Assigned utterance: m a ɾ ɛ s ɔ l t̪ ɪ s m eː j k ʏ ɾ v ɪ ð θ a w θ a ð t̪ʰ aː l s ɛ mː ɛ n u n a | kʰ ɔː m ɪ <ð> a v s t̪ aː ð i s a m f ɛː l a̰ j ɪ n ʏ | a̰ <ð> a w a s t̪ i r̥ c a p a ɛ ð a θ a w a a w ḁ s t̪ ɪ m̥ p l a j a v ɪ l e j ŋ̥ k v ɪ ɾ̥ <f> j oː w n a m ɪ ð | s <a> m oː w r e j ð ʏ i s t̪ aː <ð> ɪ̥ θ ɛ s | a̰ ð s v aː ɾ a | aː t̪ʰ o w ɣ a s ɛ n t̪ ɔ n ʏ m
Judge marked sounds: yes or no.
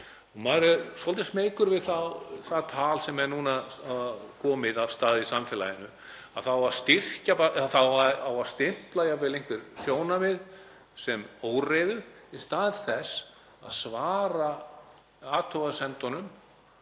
yes, no, no, no, yes

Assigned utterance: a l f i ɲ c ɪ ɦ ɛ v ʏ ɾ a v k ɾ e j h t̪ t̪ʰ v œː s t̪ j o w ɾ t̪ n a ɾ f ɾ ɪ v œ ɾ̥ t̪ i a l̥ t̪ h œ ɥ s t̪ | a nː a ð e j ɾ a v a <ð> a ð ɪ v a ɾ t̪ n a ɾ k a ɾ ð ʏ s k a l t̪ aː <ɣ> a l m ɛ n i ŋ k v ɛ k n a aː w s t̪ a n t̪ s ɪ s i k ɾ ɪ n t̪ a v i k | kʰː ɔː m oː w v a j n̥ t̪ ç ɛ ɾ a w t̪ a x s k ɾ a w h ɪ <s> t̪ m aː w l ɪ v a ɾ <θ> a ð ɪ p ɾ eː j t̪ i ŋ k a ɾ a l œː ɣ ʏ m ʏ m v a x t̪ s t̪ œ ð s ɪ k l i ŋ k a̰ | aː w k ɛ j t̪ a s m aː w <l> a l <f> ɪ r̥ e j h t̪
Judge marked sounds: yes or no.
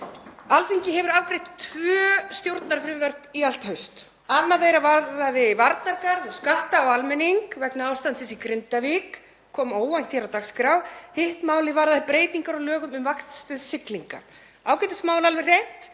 yes, no, no, no, yes, no

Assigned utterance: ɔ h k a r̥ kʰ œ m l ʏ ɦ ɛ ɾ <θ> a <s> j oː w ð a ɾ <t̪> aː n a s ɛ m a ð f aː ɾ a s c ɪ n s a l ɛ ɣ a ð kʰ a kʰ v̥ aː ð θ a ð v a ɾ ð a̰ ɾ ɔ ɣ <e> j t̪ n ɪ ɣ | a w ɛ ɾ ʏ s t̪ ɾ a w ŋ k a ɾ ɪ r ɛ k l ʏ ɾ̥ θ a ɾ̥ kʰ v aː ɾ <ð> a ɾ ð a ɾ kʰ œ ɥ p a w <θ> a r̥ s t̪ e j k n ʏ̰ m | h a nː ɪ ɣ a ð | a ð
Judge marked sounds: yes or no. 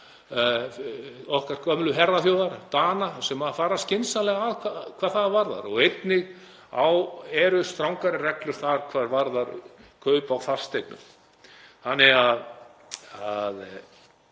no, no, yes, yes, no, yes

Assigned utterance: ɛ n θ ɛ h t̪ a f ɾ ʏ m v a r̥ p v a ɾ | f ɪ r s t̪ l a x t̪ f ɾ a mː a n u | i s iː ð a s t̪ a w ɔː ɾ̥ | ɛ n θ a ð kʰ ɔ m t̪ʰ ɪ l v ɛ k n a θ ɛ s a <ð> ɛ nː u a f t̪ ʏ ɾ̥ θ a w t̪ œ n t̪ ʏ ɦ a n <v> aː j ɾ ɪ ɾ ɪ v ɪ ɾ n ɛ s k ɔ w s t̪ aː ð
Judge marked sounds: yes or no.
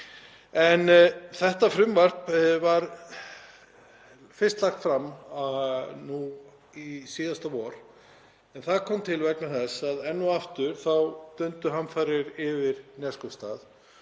yes, no

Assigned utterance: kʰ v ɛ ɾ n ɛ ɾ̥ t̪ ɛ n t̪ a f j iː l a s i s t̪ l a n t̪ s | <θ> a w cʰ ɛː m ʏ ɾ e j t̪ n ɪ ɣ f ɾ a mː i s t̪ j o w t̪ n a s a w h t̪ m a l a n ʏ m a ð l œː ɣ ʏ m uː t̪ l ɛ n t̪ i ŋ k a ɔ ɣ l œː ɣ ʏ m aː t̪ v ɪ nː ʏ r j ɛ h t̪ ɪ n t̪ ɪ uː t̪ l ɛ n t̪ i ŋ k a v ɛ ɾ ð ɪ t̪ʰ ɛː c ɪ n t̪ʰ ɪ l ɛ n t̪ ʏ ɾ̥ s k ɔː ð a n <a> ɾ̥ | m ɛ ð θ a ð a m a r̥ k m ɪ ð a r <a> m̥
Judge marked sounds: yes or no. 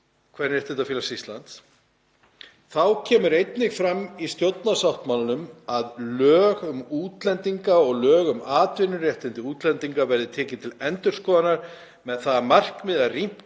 yes, yes, no

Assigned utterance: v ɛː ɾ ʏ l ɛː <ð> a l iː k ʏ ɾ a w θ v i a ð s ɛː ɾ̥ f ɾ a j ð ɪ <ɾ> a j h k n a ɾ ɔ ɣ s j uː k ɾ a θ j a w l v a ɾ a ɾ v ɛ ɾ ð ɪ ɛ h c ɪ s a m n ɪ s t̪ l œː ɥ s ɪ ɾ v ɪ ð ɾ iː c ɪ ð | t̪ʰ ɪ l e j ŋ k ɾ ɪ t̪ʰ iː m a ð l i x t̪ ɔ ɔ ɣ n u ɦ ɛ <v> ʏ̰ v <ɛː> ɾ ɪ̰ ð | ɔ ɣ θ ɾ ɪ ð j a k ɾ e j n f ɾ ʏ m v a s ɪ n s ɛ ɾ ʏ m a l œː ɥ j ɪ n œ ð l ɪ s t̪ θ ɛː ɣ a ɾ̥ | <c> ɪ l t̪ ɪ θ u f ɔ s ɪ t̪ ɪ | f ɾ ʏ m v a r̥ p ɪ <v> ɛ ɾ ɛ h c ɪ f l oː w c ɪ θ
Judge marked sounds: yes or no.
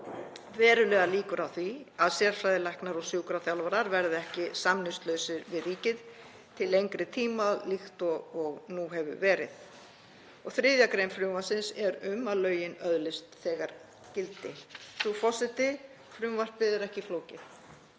no, no, yes, yes, yes, no

